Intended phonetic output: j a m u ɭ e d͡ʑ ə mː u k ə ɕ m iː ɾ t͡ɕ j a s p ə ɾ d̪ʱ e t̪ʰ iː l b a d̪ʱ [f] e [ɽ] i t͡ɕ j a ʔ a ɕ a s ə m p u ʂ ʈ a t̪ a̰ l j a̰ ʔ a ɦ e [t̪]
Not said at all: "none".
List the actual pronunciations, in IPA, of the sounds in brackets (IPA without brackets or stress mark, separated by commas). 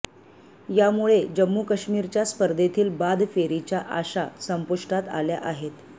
f, ɾ, t̪